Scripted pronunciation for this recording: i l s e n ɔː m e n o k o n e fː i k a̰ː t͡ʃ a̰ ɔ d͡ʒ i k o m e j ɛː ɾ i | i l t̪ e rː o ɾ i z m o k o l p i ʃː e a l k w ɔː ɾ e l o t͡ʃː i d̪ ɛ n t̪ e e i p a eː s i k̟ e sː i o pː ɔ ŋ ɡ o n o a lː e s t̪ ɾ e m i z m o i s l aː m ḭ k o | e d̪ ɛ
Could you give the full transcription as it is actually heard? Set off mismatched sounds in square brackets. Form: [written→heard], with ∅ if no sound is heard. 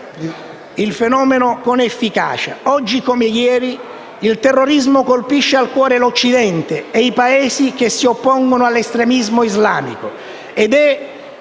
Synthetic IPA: i l [s→f] e n ɔː m e n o k o n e fː i k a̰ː t͡ʃ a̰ ɔ [d͡ʒ→d͡ʒː] i k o m e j ɛː ɾ i | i l t̪ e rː o ɾ i z m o k o l p i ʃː e a l k w ɔː ɾ e l o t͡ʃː i d̪ ɛ n t̪ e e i p a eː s i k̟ e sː i o pː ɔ ŋ ɡ o n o a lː e s t̪ ɾ e m i z m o i [s→z] l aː m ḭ k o | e d̪ ɛ

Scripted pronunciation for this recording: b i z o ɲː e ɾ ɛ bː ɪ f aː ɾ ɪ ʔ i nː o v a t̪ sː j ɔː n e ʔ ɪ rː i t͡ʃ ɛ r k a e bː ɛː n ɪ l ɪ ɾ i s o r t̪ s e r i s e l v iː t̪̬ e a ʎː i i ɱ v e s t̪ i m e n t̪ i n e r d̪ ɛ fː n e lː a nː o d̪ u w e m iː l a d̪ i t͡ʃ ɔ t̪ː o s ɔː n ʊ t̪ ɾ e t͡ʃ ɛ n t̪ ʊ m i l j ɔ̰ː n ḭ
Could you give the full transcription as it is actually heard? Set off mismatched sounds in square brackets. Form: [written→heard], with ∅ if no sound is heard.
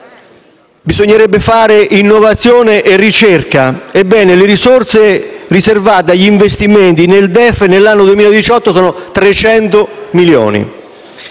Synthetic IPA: b i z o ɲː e ɾ ɛ bː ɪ f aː ɾ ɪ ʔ i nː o v a t̪ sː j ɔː n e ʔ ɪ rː i t͡ʃ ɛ r k a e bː ɛː n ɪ l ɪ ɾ i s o r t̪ s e r i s e [l→r] v [iː→aː] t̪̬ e a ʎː i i ɱ v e s t̪ i m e n t̪ i n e [r→l] d̪ ɛ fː n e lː a nː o d̪ u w e m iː l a d̪ i t͡ʃ ɔ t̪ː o s ɔː n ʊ t̪ ɾ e t͡ʃ ɛ n t̪ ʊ m i l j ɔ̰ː n ḭ

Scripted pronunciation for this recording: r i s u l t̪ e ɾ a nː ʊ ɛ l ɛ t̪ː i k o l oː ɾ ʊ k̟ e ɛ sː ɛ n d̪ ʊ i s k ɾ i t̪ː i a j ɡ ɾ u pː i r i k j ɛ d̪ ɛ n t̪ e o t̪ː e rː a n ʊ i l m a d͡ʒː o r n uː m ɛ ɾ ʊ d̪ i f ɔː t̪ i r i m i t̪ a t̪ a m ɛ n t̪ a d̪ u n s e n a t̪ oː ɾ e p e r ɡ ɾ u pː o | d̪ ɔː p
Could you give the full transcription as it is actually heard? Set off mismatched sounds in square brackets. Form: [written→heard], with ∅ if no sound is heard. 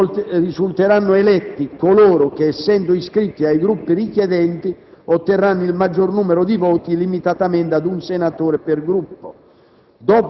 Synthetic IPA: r i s u l t̪ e ɾ a nː ʊ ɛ l ɛ t̪ː i k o l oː ɾ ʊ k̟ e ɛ sː ɛ n d̪ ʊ i s k ɾ i t̪ː i a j ɡ ɾ u pː i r i k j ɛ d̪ ɛ n t̪ [e→i] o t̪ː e rː a [n→nː] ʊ i l m a d͡ʒː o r n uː m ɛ ɾ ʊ d̪ i [f→v] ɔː t̪ i [r→l] i m i t̪ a t̪ a m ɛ n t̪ a d̪ u n s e n a t̪ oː ɾ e p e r ɡ ɾ u pː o | d̪ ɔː p

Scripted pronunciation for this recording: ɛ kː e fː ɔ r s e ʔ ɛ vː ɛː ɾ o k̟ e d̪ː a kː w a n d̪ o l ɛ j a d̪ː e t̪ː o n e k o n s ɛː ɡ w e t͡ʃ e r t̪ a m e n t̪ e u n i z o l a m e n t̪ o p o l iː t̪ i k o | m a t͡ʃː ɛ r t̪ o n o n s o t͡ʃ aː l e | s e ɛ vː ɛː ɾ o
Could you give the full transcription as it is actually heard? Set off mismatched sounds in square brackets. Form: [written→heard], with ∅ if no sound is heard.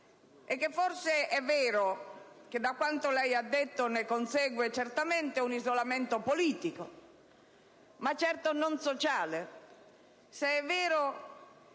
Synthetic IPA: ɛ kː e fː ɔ r s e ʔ ɛ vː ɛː ɾ o k̟ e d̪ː a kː w a n [d̪→t̪] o l ɛ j a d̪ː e t̪ː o n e k o n s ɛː ɡ w e t͡ʃ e r t̪ a m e n t̪ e u n i z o l a m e n t̪ o p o l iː t̪ i k o | m a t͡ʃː ɛ r t̪ o n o n s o t͡ʃ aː l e | s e ɛ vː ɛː ɾ o

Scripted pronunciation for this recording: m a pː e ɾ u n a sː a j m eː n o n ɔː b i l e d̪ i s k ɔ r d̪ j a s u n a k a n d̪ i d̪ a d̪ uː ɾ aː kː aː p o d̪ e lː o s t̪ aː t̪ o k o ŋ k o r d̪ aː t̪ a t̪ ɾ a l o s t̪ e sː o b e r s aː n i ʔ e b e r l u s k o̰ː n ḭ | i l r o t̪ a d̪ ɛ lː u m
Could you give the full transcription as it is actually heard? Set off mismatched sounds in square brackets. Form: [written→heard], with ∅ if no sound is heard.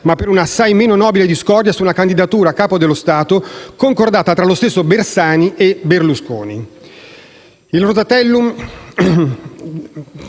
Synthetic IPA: m a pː e ɾ u n a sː a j m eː n o n ɔː b i l e d̪ i s k ɔ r d̪ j a s u n a k a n d̪ i d̪ a [d̪→t̪] uː ɾ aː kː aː p o d̪ e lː o s t̪ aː t̪ o k o ŋ k o r d̪ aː t̪ a t̪ ɾ a l o s t̪ e sː o b e r s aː n i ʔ e b e r l u s k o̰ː n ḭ | i l r o t̪ a [d̪→t̪] ɛ lː u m

